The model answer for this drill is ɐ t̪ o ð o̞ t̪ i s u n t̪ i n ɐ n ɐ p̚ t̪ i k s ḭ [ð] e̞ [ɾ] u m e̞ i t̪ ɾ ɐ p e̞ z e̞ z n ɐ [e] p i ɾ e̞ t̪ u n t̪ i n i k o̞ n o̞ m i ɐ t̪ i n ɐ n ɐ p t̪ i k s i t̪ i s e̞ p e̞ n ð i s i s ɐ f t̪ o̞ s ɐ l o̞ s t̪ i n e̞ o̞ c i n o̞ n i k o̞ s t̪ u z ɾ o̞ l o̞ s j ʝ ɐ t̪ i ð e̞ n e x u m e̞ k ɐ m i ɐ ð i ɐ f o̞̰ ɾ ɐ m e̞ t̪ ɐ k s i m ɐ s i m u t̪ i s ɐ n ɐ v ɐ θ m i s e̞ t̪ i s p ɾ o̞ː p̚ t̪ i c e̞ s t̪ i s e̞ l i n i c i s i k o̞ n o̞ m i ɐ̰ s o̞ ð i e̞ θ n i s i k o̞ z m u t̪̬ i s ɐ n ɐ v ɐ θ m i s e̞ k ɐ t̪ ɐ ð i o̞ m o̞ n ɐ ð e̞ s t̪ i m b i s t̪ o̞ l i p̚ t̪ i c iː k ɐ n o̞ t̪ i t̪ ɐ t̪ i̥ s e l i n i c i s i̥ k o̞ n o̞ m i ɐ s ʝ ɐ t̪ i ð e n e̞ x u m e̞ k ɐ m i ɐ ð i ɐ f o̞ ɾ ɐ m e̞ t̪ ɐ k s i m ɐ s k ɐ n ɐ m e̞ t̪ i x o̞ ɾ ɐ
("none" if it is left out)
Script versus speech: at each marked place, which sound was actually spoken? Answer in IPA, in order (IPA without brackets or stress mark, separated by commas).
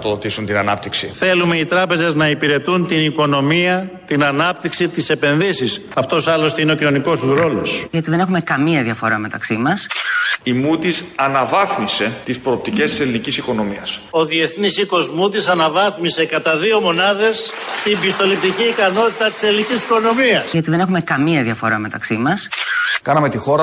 θ, l, i